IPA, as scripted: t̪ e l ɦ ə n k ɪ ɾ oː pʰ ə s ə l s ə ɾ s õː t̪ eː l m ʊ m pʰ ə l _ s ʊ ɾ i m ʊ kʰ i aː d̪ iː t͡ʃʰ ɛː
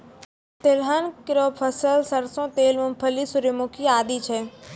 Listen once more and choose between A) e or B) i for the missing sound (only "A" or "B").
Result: B